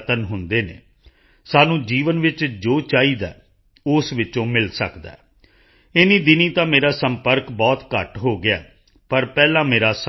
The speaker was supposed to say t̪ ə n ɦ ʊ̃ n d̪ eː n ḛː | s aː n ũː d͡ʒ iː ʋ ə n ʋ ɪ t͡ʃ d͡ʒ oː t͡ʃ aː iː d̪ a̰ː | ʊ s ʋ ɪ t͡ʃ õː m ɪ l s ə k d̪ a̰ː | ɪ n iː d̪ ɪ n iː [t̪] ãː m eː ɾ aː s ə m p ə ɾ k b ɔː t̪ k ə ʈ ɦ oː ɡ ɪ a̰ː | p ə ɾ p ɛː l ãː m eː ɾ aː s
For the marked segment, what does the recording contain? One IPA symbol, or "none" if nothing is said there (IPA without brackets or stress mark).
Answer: t̪